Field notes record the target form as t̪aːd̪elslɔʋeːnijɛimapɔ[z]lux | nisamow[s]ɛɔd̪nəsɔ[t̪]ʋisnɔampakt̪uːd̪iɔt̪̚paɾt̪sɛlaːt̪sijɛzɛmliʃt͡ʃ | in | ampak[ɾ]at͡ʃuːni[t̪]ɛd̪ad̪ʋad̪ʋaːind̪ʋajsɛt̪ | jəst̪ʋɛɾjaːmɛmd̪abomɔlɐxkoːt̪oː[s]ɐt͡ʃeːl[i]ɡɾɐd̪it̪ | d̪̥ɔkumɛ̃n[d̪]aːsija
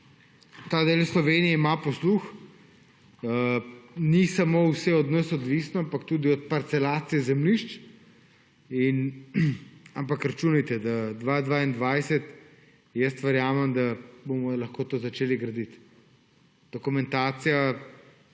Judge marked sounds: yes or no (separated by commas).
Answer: no, yes, no, yes, yes, no, yes, no